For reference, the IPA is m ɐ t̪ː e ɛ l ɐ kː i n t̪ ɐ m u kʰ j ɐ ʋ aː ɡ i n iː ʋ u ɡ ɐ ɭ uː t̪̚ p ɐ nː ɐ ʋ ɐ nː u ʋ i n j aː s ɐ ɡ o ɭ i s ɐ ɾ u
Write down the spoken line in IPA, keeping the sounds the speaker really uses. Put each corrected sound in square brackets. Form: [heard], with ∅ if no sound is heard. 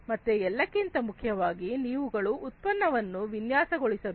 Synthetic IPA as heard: m ɐ t̪ː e ɛ [lː] ɐ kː i n t̪ ɐ m u kʰ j ɐ ʋ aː ɡ i n iː ʋ u ɡ ɐ ɭ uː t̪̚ p ɐ nː ɐ ʋ ɐ nː u ʋ i n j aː s ɐ ɡ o ɭ i s ɐ ɾ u